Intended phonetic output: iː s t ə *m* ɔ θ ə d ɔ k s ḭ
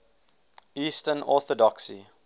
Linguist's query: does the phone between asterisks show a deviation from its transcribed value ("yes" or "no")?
yes